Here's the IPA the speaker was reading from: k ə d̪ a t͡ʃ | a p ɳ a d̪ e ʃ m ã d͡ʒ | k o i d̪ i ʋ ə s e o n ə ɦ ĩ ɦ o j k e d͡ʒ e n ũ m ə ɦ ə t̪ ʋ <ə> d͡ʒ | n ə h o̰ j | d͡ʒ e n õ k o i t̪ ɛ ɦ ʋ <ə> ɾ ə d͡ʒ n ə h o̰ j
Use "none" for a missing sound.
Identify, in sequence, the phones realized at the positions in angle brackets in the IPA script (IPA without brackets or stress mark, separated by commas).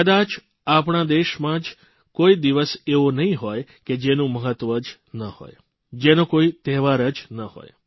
ə, a